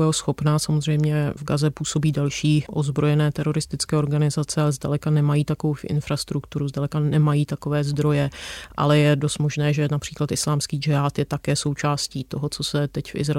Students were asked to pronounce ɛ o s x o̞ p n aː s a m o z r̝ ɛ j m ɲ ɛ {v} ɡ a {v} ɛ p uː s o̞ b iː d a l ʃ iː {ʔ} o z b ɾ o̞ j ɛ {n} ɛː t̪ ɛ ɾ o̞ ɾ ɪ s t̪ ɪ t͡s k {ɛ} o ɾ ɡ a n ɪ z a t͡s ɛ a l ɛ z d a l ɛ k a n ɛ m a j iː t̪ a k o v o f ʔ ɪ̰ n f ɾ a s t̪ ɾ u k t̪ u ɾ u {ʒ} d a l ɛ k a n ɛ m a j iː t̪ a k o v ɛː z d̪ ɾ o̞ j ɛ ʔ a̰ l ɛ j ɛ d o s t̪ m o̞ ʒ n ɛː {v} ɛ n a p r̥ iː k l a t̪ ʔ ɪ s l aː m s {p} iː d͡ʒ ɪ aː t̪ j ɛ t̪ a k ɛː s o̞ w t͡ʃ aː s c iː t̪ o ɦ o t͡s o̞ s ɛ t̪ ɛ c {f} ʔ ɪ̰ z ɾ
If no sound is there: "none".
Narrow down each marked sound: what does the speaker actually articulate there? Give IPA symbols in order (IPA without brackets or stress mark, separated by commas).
v, z, ʔ, n, ɛː, z, ʒ, k, f